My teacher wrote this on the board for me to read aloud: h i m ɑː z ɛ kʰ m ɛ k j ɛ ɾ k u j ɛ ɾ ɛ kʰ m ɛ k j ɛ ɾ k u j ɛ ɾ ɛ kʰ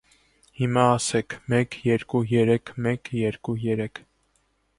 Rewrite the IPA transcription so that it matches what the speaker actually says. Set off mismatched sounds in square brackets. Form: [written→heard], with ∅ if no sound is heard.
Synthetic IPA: h i m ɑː [z→s] ɛ kʰ m ɛ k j ɛ ɾ k u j ɛ ɾ ɛ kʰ m ɛ k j ɛ ɾ k u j ɛ ɾ ɛ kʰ